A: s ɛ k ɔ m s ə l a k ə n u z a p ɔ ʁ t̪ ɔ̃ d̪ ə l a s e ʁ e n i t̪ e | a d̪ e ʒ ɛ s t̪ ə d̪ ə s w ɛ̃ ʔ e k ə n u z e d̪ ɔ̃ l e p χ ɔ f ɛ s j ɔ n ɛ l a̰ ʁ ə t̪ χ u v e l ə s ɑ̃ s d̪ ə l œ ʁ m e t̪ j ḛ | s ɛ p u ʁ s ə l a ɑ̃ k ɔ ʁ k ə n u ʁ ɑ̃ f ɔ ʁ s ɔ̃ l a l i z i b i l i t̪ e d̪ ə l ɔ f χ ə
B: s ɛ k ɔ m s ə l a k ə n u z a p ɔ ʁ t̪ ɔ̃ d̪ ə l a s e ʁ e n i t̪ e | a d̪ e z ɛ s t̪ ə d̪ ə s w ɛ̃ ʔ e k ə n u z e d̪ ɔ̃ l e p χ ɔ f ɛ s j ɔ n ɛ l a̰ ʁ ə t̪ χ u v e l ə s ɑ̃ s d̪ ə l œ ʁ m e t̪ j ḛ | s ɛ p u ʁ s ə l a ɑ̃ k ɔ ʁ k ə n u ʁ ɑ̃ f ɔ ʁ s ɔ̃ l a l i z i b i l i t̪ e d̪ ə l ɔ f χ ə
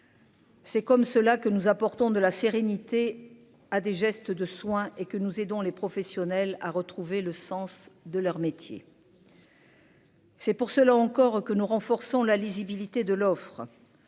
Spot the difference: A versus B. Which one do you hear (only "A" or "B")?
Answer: A